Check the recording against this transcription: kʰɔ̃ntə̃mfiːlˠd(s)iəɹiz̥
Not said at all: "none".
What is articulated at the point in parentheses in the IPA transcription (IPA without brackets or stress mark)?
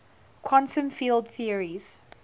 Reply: θ